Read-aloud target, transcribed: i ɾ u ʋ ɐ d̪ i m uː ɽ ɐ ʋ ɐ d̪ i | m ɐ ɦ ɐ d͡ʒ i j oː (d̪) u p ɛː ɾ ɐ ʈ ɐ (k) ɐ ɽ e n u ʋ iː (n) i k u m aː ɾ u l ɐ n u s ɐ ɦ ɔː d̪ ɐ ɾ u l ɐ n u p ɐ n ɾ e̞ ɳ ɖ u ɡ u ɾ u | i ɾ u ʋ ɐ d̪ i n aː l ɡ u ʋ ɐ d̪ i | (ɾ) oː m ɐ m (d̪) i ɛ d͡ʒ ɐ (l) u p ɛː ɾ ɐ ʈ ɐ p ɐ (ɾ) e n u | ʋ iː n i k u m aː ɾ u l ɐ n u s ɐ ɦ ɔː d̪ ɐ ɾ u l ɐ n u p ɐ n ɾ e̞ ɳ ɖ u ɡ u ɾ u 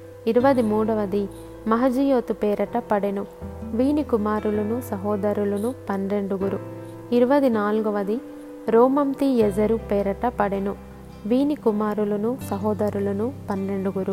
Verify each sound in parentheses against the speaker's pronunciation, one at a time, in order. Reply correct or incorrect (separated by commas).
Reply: incorrect, incorrect, correct, correct, incorrect, incorrect, incorrect